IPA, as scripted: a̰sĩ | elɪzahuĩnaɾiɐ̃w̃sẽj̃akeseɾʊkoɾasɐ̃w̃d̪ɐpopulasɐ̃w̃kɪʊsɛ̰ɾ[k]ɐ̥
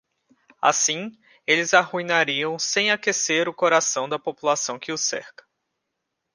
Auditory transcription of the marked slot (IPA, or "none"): k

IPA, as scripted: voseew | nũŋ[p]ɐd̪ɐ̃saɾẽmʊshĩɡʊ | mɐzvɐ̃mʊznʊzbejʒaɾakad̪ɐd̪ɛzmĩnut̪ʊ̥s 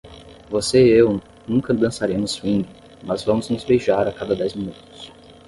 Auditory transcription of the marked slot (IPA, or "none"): k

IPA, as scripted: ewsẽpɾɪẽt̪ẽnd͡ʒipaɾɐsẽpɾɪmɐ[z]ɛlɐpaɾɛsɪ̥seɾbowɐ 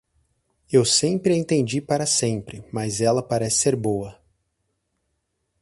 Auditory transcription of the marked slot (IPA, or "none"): z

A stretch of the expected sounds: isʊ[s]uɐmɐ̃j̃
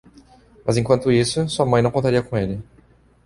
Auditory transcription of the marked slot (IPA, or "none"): s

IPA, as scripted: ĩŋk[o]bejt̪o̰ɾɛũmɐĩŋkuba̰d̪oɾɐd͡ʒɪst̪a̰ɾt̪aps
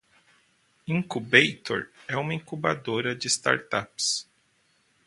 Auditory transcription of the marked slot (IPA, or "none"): u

